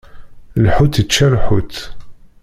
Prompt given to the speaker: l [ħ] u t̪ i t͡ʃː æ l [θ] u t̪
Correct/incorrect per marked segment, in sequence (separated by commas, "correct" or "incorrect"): correct, incorrect